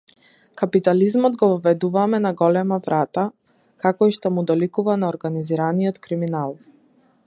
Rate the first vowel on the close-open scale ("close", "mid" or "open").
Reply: open